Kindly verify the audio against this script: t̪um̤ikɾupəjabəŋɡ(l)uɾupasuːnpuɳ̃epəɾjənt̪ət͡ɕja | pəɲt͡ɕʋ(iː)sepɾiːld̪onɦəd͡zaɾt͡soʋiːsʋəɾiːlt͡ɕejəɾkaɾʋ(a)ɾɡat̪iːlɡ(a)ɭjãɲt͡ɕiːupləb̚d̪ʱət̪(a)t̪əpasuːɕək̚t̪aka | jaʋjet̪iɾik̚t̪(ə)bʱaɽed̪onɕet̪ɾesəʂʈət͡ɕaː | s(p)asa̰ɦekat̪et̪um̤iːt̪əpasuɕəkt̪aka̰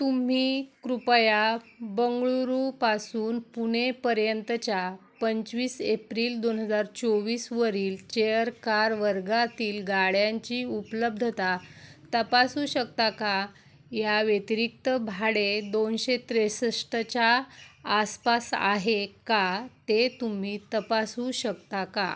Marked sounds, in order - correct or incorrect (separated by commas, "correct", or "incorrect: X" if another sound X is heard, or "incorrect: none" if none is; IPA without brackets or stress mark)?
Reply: incorrect: ɭ, correct, incorrect: ə, correct, correct, correct, correct